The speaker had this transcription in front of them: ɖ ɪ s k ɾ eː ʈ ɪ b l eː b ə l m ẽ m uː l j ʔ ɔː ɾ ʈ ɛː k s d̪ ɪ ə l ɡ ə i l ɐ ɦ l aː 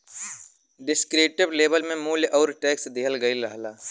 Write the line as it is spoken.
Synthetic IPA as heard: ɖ ɪ s k ɾ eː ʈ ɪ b l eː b ə l m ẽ m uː l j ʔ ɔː ɾ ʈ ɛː k s d̪ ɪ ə l ɡ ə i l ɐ ɦ l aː